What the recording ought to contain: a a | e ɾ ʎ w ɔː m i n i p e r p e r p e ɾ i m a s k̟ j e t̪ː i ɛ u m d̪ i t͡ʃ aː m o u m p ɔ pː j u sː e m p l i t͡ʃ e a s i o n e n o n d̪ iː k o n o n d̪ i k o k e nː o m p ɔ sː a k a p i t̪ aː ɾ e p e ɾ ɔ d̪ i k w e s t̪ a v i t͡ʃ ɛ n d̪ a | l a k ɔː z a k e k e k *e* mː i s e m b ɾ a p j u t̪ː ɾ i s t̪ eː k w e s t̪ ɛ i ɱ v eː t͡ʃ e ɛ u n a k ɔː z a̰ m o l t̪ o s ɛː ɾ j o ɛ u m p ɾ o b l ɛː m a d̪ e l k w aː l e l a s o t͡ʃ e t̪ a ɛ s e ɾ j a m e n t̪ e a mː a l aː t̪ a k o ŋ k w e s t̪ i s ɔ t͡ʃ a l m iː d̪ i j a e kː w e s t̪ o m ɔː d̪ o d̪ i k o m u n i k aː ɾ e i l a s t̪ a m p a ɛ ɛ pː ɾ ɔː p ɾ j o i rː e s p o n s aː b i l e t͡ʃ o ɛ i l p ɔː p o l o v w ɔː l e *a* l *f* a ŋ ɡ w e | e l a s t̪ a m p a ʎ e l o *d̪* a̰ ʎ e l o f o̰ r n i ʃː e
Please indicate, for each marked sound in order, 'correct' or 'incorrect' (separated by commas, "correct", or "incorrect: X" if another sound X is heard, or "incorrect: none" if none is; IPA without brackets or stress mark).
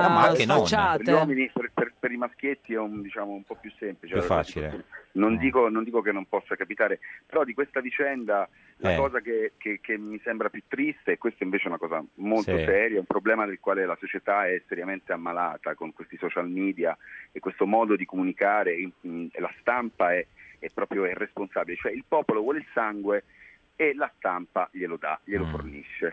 correct, incorrect: i, incorrect: s, correct